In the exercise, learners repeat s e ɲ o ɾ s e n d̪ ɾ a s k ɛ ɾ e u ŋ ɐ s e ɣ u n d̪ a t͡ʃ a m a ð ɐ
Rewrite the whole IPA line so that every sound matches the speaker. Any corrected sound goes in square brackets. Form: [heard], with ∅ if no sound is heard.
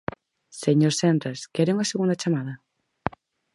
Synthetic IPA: s e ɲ o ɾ s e n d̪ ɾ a s k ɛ ɾ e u ŋ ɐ s e ɣ u n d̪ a t͡ʃ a m a ð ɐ